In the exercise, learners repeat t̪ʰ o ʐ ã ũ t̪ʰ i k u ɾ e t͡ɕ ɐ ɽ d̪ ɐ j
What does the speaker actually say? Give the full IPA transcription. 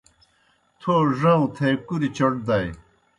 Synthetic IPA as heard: t̪ʰ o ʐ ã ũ t̪ʰ e k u ɾ i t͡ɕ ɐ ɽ d̪ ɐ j